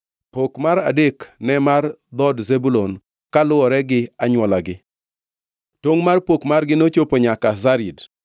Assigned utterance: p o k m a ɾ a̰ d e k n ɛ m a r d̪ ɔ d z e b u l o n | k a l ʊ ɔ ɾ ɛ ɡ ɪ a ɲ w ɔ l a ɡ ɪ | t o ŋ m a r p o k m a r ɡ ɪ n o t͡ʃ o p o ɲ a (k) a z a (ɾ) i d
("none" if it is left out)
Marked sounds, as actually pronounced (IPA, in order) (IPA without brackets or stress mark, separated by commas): k, ɾ